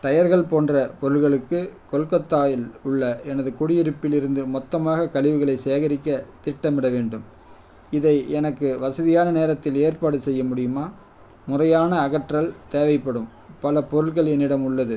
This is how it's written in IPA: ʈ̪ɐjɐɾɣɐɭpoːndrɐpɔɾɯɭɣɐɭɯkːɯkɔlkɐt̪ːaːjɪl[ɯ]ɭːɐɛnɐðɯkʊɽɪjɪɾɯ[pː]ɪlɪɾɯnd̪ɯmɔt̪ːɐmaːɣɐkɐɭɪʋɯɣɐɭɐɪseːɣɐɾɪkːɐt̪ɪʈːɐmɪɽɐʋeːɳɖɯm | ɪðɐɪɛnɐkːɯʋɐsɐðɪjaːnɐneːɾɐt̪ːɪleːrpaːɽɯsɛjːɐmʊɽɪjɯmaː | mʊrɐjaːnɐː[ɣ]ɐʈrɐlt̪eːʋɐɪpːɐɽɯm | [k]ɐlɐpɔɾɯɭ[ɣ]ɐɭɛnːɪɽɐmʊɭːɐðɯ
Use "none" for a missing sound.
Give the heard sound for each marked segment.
ʊ, pː, ɣ, p, ɣ

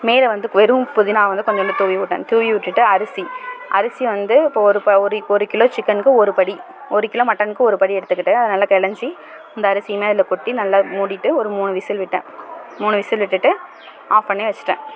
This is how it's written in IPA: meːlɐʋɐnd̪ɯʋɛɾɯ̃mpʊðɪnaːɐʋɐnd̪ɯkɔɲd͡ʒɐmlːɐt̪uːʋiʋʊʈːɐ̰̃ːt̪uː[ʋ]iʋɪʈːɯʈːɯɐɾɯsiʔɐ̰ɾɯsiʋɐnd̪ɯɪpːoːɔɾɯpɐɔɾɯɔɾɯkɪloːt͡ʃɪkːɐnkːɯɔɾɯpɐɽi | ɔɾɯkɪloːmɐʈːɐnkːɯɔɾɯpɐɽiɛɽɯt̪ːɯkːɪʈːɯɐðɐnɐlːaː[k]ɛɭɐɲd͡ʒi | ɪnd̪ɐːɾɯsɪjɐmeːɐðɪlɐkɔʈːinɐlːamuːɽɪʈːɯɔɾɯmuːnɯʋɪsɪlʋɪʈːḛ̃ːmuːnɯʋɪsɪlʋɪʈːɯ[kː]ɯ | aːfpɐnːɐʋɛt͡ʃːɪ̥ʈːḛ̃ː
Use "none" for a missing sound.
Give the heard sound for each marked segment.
ʋ, k, ʈː

